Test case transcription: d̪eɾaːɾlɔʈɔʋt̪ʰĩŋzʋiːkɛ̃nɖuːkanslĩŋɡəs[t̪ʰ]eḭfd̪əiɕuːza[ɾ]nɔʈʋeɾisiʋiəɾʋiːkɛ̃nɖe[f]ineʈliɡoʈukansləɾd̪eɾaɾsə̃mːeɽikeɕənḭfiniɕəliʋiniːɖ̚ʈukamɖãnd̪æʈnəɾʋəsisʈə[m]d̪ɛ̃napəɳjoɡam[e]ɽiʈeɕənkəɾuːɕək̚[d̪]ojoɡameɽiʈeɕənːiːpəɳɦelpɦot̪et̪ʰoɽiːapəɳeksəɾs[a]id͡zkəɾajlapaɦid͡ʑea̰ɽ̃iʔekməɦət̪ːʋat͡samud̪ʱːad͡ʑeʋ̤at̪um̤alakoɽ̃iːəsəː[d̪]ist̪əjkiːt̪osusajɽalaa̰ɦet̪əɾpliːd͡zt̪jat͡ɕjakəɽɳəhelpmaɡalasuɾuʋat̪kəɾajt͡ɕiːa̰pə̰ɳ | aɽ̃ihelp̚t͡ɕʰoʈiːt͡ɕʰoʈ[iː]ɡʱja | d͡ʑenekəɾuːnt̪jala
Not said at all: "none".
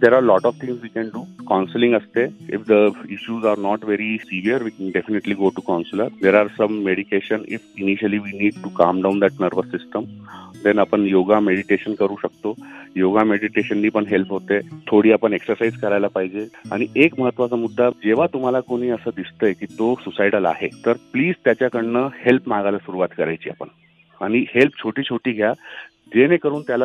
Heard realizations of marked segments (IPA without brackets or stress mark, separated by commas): t̪, ɾ, f, m, e, t̪, a, d̪, iː